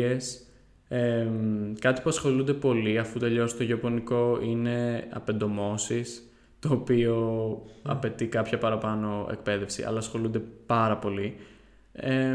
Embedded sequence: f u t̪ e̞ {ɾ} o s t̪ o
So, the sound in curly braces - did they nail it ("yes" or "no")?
no